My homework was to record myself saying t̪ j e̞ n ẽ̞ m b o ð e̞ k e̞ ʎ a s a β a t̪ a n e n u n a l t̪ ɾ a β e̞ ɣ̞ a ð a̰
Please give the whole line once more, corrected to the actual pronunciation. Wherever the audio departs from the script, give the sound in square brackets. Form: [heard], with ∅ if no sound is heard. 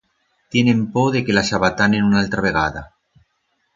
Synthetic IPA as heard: t̪ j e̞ n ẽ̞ m [p] o ð e̞ k e̞ [l] a s a β a t̪ a n e n u n a l t̪ ɾ a β e̞ ɣ̞ a ð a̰